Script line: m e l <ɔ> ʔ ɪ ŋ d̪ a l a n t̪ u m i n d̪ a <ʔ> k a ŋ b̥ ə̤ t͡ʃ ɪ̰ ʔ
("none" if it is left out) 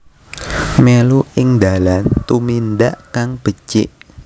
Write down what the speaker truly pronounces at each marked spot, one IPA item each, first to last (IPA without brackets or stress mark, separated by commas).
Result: u, ʔ